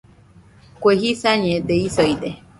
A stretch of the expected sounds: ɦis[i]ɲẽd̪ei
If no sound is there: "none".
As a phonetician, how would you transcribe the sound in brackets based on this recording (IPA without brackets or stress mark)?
a